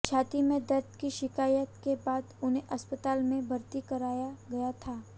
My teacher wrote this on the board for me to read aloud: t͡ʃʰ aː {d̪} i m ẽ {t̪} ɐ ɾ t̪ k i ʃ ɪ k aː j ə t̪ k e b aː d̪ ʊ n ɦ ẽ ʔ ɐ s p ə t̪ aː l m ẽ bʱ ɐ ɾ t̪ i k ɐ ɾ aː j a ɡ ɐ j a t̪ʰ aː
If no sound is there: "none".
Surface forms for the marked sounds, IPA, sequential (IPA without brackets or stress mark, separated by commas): t̪, d̪